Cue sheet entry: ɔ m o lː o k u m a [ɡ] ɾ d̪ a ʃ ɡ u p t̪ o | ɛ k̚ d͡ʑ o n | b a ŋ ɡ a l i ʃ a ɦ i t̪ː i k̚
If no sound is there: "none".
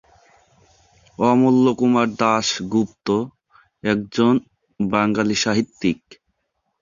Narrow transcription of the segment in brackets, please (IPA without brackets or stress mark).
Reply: none